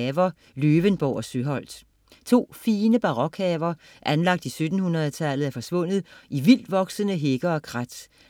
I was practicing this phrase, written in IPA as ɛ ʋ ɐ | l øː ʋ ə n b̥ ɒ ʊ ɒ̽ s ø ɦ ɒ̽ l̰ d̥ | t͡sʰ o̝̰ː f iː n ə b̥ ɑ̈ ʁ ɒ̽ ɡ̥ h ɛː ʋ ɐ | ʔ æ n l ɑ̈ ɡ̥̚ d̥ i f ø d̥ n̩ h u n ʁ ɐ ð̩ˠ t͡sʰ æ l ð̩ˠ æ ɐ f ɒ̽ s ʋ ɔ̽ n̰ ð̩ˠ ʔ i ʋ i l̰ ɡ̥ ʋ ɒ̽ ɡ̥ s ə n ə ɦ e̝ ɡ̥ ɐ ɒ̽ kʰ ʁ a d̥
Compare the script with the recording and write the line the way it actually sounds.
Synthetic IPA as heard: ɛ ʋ ɐ | l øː ʋ ə n b̥ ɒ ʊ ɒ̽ s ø ɦ ɒ̽ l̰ d̥ | t͡sʰ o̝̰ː f iː n ə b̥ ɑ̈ ʁ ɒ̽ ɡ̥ h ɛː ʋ ɐ | ʔ æ n l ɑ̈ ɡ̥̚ d̥ i s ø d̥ n̩ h u n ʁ ɐ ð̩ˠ t͡sʰ æ l ð̩ˠ æ ɐ f ɒ̽ s ʋ ɔ̽ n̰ ð̩ˠ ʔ i ʋ i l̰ d̥ ʋ ɒ̽ ɡ̥ s ə n ə ɦ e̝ ɡ̥ ɐ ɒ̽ kʰ ʁ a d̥

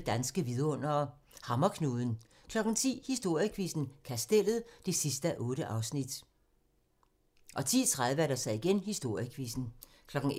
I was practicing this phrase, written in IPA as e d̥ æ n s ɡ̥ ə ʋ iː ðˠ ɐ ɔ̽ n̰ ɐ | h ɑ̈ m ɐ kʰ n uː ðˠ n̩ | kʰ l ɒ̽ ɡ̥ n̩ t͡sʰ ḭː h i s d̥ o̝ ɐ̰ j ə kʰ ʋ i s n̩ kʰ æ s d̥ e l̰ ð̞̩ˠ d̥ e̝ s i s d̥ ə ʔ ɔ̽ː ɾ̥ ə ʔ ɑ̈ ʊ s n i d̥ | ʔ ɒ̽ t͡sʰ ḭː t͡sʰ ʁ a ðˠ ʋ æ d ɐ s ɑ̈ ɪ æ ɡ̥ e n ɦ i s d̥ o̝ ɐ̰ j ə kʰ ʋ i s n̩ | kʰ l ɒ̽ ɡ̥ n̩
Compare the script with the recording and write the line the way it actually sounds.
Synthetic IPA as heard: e d̥ æ n s ɡ̥ ə ʋ i ðˠ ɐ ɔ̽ n̰ ɐ | h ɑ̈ m ɐ kʰ n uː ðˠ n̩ | kʰ l ɒ̽ ɡ̥ n̩ t͡sʰ ḭː h i s d̥ o̝ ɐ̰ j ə kʰ ʋ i s n̩ kʰ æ s d̥ e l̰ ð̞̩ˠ d̥ e̝ s i s d̥ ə ʔ ɔ̽ː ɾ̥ ə ʔ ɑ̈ ʊ s n i d̥ | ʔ ɒ̽ t͡sʰ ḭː t͡sʰ ʁ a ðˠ ʋ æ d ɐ s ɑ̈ ɪ i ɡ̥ e n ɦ i s d̥ o̝ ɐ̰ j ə kʰ ʋ i s n̩ | kʰ l ɒ̽ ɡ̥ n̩

